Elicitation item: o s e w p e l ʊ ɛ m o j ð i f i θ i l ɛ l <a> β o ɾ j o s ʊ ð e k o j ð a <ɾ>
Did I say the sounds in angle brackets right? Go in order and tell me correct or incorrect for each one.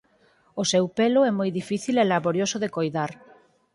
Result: correct, correct

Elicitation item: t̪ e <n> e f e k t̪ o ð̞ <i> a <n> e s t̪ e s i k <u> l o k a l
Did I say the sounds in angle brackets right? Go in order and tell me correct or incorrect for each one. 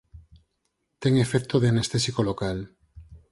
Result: incorrect: ŋ, incorrect: e, correct, incorrect: o

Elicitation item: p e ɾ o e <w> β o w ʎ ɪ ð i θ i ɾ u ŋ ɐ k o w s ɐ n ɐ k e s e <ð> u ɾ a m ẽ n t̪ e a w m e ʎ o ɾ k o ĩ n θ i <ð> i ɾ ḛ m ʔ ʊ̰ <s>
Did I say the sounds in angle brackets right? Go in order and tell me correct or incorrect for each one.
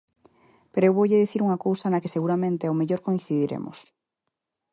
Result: correct, incorrect: ɣ, correct, correct

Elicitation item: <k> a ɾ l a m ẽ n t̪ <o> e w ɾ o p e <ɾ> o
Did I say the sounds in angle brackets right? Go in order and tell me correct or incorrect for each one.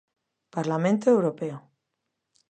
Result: incorrect: p, correct, incorrect: none

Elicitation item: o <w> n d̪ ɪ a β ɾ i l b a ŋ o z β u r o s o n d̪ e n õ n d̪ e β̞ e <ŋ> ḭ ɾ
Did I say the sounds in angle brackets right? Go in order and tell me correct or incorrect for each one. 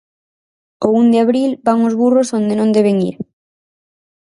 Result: incorrect: u, correct

